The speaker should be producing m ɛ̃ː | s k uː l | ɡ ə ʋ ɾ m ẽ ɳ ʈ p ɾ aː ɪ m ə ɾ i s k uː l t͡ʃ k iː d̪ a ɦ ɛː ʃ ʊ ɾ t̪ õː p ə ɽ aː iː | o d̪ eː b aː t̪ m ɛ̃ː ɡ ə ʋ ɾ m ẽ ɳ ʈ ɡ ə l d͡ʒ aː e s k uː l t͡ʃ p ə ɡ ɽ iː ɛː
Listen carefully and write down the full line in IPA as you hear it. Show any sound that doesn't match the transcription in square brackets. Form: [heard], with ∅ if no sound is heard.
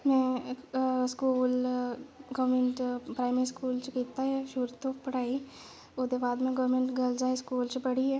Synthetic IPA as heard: m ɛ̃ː | s k uː l | ɡ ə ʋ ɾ m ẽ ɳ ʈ p ɾ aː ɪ m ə ɾ i s k uː l t͡ʃ k iː [t̪] a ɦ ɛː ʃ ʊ ɾ t̪ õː p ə ɽ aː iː | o d̪ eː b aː [d̪] m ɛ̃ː ɡ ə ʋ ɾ m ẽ ɳ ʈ ɡ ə l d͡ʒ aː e s k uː l t͡ʃ p ə [∅] ɽ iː ɛː